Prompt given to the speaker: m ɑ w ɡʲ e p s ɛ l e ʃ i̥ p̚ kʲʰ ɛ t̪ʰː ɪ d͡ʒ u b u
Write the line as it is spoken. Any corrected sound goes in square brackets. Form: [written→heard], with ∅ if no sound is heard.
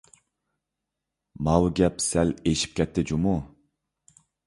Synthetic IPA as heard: m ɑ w ɡʲ [e→ɛ] p s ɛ l e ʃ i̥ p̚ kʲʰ ɛ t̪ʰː ɪ d͡ʒ u [b→m] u

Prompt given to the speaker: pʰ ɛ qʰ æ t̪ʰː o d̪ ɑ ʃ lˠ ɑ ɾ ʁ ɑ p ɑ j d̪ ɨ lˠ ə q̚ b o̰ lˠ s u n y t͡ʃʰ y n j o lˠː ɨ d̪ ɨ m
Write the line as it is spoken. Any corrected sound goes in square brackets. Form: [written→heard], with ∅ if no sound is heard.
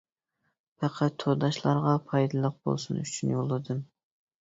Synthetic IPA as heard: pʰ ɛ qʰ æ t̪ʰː o d̪ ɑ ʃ lˠ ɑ ɾ ʁ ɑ [p→pʰ] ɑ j d̪ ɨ lˠ ə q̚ b o̰ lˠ s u n y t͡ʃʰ y n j o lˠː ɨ d̪ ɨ m

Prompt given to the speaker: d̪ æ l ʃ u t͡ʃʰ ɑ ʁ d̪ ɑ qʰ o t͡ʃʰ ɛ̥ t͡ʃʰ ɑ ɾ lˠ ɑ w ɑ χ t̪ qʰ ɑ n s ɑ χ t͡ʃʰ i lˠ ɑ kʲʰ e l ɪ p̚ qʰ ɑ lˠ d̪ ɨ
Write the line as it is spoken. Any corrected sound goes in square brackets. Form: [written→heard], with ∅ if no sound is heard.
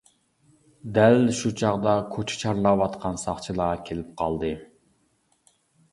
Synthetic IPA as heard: d̪ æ l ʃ u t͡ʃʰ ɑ ʁ d̪ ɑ [qʰ→kʰ] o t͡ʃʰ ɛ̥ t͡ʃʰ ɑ ɾ lˠ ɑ w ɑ [χ→∅] t̪ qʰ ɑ n s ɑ χ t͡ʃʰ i lˠ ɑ kʲʰ e l ɪ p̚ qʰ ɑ lˠ d̪ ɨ

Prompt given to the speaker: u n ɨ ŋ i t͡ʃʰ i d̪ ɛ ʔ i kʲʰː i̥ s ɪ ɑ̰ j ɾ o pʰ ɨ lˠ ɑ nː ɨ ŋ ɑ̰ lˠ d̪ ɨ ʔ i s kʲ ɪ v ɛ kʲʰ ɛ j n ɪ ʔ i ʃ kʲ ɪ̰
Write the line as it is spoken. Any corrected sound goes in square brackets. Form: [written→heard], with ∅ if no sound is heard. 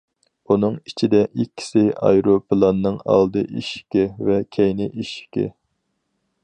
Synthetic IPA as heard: u n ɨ ŋ i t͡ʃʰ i d̪ ɛ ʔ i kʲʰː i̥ s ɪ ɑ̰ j ɾ o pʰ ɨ lˠ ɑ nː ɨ ŋ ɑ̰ lˠ d̪ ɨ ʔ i [s→ʃ] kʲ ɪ v ɛ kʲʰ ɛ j n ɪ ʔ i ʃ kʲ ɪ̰

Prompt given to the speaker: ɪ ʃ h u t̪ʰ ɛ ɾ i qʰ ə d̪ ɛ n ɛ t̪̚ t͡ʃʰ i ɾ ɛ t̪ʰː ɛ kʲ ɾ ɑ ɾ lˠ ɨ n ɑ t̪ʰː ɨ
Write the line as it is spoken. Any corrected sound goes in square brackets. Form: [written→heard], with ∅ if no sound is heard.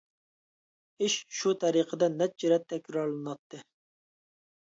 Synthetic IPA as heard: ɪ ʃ [h→ʃ] u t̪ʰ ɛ ɾ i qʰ ə d̪ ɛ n ɛ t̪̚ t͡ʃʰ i ɾ ɛ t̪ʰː ɛ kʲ ɾ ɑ ɾ lˠ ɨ n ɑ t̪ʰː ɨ

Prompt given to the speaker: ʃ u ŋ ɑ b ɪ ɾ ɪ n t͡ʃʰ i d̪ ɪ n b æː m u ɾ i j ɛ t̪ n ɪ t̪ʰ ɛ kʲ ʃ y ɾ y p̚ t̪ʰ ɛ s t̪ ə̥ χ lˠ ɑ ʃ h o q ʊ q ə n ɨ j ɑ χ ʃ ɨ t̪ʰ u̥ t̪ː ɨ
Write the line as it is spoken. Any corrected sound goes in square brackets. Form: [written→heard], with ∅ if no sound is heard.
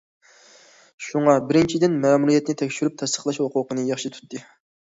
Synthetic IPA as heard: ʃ u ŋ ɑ b ɪ ɾ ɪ n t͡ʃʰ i d̪ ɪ n [b→m] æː m u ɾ i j ɛ t̪ n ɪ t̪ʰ ɛ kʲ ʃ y ɾ y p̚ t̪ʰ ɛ s t̪ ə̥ χ lˠ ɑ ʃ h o q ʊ q ə n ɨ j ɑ χ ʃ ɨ t̪ʰ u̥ t̪ː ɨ

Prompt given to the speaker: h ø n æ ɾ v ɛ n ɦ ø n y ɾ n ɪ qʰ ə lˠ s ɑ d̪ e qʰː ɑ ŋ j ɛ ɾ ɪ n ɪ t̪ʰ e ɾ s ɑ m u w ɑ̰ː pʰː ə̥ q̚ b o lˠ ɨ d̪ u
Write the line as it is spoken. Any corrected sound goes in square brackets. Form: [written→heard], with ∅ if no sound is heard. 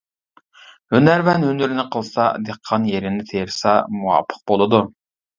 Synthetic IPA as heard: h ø n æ ɾ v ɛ n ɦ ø n y ɾ n ɪ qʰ ə lˠ s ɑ d̪ e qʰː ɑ [ŋ→n] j [ɛ→e] ɾ ɪ n ɪ t̪ʰ e ɾ s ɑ m u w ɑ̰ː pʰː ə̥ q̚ b o lˠ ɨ d̪ u

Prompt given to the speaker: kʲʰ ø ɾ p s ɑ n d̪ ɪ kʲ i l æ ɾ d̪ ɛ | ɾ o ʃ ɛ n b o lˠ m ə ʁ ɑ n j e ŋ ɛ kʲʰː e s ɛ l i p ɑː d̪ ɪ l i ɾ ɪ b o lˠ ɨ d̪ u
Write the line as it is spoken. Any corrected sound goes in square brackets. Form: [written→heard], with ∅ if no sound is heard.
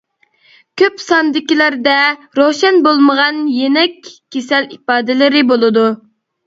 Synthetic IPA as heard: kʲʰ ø [ɾ→∅] p s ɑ n d̪ ɪ kʲ i l æ ɾ d̪ ɛ | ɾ o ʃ ɛ n b o lˠ m ə ʁ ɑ n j e [ŋ→n] ɛ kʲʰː e s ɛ l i p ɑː d̪ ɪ l [i→ɪ] ɾ ɪ b o lˠ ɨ d̪ u

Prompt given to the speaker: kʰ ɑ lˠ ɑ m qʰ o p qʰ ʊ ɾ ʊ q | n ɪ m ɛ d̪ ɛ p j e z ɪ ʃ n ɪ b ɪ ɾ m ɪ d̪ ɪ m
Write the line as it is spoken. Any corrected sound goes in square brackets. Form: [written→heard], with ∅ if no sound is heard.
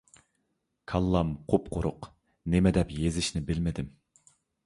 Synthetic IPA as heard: kʰ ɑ [lˠ→lˠː] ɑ m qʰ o p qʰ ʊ ɾ ʊ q | n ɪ m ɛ d̪ ɛ p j e z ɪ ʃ n ɪ b ɪ [ɾ→l] m ɪ d̪ ɪ m

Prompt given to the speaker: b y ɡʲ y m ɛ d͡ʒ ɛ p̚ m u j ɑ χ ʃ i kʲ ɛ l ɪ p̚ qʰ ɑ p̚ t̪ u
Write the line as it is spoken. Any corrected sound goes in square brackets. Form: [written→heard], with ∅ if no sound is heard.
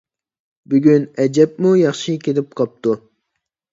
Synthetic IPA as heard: b y ɡʲ y [m→n] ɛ d͡ʒ ɛ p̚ m u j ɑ χ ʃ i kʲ [ɛ→e] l ɪ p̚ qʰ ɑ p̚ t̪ u

